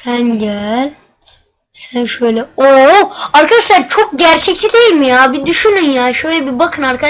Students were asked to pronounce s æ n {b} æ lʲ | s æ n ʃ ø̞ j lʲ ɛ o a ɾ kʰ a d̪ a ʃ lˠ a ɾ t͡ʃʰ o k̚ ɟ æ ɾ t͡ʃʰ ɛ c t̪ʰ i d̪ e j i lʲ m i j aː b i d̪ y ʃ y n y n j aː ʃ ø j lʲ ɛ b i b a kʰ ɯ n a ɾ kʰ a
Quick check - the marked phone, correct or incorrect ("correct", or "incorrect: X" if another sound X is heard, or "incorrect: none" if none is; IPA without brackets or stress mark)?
incorrect: ɟ